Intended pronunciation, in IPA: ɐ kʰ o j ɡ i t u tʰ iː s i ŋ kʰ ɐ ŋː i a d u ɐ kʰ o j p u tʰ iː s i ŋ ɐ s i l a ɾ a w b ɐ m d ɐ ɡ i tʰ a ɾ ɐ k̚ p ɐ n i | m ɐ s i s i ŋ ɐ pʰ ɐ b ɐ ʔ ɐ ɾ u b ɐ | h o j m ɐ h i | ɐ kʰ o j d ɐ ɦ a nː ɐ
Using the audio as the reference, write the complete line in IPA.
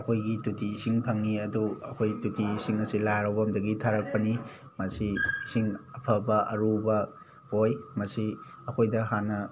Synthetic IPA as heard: ɐ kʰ o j ɡ i t u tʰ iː s i ŋ pʰ ɐ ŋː i ɐ d u ɐ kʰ o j t u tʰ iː s i ŋ ɐ s i l a ɾ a w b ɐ m d ɐ ɡ i tʰ a ɾ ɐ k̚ p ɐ n i | m ɐ s i s i ŋ ɐ pʰ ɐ b ɐ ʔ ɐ ɾ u b ɐ | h o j m ɐ s i | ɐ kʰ o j d ɐ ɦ a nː ɐ

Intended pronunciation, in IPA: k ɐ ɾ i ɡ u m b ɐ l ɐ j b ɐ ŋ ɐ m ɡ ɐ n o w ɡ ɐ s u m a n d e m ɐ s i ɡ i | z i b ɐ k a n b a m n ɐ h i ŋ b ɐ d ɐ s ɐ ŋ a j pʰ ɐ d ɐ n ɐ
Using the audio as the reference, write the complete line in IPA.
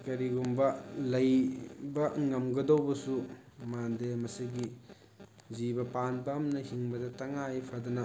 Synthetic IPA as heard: k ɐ ɾ i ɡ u m b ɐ l ɐ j b ɐ ŋ ɐ m ɡ ɐ d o w b ɐ s u m a n d e m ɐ s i ɡ i | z i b ɐ p a n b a m n ɐ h i ŋ b ɐ d ɐ t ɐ ŋ a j pʰ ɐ d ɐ n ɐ

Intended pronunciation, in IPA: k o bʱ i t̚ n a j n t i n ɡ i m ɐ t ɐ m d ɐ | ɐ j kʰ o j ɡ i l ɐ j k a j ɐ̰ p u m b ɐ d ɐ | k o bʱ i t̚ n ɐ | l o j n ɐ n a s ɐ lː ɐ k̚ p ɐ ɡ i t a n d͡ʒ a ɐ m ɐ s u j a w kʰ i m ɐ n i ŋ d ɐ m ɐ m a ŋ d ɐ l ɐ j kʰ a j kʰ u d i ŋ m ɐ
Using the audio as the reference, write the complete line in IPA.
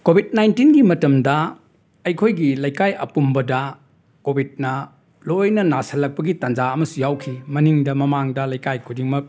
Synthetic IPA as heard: k o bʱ i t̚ n a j n t i n ɡ i m ɐ t ɐ m d ɐ | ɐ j kʰ o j ɡ i l ɐ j k a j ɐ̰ p u m b ɐ d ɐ | k o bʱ i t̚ n ɐ | l o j n ɐ n a s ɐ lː ɐ k̚ p ɐ ɡ i t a n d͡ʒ a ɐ m ɐ s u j a w kʰ i m ɐ n i ŋ d ɐ m ɐ m a ŋ d ɐ l ɐ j k a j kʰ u d i ŋ m ɐ

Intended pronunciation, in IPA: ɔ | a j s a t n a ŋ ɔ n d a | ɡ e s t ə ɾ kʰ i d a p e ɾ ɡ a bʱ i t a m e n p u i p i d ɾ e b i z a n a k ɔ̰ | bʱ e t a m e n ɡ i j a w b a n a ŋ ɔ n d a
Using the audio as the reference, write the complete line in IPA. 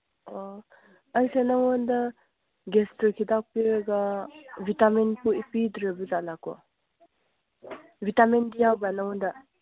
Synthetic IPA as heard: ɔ | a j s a n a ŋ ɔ n d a | ɡ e s t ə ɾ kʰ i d a p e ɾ ɡ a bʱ i t a m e n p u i p i d ɾ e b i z a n a k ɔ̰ | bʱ i t a m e n d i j a w b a n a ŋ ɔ n d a

